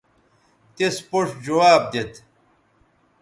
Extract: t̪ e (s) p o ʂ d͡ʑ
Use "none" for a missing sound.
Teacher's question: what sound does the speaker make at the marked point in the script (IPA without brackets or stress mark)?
s